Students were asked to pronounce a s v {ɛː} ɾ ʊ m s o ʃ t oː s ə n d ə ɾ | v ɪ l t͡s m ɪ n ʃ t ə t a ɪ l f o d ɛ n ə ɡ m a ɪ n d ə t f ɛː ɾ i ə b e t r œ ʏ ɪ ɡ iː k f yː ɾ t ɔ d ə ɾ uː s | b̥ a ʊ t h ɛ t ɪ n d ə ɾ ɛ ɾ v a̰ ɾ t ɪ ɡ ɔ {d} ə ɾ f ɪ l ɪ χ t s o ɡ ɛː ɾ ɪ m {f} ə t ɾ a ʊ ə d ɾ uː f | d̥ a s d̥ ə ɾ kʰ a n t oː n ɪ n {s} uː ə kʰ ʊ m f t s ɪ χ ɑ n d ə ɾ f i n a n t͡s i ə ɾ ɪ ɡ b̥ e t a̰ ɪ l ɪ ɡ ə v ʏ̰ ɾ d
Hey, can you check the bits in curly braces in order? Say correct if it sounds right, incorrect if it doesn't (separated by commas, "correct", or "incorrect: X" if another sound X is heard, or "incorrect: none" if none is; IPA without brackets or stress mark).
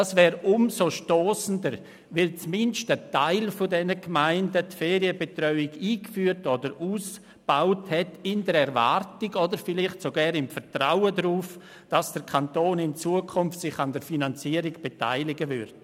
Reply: correct, correct, correct, incorrect: t͡s